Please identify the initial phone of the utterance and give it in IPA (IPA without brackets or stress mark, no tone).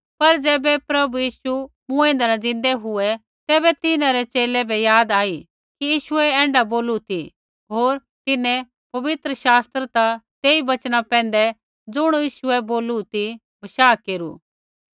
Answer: p